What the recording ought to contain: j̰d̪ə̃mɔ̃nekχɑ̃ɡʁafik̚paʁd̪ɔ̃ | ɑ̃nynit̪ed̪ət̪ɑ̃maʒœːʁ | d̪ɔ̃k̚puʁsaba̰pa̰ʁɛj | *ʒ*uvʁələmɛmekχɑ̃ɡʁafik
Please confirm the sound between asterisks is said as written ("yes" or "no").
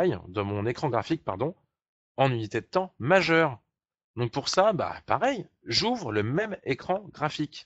yes